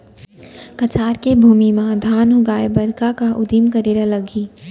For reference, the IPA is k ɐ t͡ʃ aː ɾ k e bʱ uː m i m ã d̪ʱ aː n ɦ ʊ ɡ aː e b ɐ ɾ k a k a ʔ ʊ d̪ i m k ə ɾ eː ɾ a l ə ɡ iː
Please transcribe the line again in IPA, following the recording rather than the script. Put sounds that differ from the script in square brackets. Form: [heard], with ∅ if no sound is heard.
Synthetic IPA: k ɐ t͡ʃ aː ɾ k e bʱ uː m i m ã d̪ʱ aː n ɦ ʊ ɡ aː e b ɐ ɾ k a k a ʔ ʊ d̪ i m k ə ɾ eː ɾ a l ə ɡ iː